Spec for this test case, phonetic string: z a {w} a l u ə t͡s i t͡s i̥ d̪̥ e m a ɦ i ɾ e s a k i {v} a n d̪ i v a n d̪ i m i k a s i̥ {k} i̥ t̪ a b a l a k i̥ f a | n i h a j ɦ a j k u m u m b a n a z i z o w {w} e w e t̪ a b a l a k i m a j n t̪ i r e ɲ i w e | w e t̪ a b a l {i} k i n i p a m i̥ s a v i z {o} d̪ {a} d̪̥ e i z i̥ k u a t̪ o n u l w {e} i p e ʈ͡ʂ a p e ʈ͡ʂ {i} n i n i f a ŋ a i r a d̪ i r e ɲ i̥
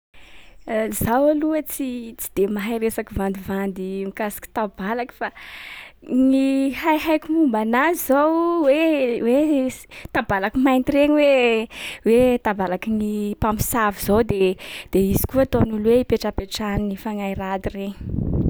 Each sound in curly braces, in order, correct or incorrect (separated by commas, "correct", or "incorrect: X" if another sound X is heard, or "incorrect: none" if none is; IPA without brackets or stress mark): correct, correct, correct, correct, incorrect: a, correct, incorrect: e, correct, incorrect: a